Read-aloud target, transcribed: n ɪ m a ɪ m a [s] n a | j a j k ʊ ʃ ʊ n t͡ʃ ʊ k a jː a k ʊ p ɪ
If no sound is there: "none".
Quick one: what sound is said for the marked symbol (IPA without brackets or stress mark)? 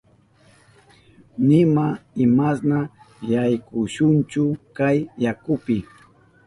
s